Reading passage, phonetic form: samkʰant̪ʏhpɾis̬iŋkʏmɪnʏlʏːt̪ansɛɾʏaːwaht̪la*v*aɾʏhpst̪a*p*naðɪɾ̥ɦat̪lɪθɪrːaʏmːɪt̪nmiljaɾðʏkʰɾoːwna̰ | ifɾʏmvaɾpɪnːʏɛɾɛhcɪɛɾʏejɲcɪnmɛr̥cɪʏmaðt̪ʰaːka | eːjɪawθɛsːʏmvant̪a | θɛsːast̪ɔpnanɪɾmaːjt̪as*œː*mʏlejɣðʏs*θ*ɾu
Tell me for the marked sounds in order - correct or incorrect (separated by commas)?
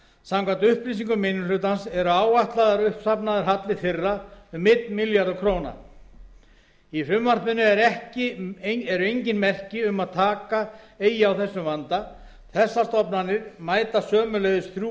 incorrect, correct, correct, correct